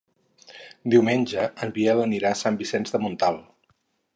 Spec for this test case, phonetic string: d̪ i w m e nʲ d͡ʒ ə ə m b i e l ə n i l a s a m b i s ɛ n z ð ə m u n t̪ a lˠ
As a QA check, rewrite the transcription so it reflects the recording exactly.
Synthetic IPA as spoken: d̪ i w m e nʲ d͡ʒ ə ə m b i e l ə n i ɾ a s a m b i s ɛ n z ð ə m u n t̪ a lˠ